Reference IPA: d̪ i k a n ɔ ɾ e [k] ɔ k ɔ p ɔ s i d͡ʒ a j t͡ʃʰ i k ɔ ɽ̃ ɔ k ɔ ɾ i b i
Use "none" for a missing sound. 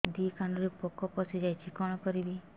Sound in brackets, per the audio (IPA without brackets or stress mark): p